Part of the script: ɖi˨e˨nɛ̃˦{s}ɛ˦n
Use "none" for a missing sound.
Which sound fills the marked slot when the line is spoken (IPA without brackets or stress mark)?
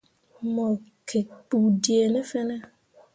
f